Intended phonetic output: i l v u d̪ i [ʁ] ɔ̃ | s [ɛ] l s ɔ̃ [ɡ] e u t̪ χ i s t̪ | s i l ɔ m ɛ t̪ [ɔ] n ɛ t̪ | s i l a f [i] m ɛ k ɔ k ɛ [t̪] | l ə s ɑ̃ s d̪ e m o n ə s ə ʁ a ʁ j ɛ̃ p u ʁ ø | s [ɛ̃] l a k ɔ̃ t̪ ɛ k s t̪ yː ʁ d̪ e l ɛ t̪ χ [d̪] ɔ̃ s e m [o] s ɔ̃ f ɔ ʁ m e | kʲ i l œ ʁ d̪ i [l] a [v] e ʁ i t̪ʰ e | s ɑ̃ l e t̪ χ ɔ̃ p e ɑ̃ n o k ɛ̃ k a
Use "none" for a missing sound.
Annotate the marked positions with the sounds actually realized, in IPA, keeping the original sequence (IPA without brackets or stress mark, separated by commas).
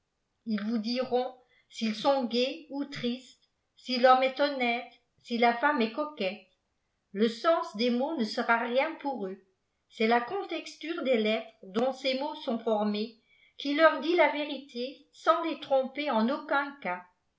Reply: ʁ, i, ɡ, ɔ, a, t̪, ɛ, d̪, o, l, v